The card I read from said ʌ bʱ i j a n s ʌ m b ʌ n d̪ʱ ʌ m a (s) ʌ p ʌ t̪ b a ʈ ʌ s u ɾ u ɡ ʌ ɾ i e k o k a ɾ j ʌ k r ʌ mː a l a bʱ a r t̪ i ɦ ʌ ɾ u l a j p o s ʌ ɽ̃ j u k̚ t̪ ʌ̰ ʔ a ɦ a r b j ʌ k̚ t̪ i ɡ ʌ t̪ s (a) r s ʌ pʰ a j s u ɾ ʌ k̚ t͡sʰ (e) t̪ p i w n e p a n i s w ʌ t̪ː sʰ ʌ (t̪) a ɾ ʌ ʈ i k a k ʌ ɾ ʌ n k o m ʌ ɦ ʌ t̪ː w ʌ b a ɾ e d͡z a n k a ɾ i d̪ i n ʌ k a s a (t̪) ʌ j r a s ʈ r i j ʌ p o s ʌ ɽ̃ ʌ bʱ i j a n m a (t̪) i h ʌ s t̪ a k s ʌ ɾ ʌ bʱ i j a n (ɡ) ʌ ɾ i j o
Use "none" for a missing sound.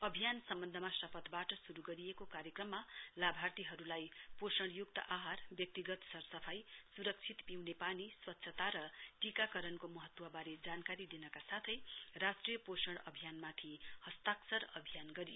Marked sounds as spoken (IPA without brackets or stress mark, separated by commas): s, ʌ, i, t̪, t̪ʰ, t̪ʰ, ɡ